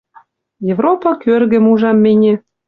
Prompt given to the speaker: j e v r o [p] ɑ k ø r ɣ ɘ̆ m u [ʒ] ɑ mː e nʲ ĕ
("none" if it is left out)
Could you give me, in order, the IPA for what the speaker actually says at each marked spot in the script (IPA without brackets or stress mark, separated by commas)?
p, ʒ